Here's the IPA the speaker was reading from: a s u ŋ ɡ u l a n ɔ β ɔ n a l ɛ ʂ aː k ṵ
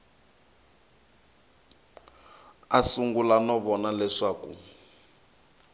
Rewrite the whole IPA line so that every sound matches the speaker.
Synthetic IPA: a s u ŋ ɡ u l a n ɔ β ɔ n a l ɛ ʂ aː k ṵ